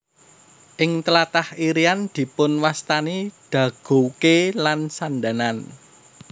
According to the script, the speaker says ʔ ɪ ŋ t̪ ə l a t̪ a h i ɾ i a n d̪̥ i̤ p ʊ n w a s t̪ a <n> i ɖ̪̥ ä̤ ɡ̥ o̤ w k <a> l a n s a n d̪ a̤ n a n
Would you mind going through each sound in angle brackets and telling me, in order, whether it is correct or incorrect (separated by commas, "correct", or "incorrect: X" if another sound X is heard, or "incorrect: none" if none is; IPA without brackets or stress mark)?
correct, incorrect: e